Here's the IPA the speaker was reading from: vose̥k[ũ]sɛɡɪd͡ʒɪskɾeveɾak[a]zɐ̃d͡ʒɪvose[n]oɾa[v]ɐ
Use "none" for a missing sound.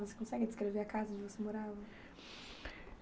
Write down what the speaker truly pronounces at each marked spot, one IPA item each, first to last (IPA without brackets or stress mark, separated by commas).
õ, a, m, v